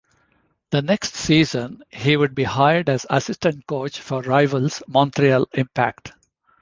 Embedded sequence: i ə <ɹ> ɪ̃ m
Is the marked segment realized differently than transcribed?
yes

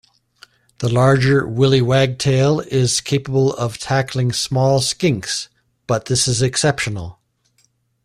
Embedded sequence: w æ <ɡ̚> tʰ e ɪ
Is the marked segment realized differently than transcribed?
no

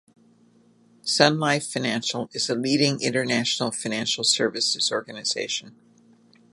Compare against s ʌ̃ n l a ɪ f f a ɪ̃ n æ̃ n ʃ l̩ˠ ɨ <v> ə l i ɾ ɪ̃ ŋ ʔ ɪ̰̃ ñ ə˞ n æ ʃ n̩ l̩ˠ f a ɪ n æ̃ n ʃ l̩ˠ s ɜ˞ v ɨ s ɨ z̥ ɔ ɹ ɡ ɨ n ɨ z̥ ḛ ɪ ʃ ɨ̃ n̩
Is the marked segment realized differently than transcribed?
yes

